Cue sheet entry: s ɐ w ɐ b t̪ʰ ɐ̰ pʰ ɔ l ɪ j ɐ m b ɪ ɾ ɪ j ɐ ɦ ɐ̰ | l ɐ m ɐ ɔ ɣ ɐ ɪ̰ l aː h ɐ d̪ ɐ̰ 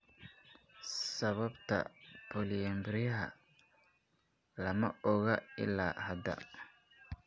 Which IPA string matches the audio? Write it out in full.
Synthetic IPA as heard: s ɐ β ɐ b t̪ʰ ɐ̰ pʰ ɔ l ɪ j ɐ m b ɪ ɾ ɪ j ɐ ɦ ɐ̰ | l ɐ m ɐ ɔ ɣ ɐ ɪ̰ l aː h ɐ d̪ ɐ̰